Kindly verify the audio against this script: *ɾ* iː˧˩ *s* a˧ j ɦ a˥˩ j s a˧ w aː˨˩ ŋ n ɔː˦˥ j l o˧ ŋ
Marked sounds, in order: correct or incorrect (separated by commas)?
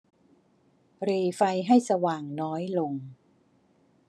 correct, incorrect